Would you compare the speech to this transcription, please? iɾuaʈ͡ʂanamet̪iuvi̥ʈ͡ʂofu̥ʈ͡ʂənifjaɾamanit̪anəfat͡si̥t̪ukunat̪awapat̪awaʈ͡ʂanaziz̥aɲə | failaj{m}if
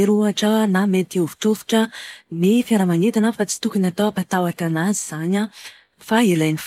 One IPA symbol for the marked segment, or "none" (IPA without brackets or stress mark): n